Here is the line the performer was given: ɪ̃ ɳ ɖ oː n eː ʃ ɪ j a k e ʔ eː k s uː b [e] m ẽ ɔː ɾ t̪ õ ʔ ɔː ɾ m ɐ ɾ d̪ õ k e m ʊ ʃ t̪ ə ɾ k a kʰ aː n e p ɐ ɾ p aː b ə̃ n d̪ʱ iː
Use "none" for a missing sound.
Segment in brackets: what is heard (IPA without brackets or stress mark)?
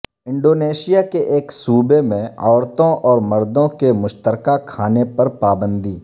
e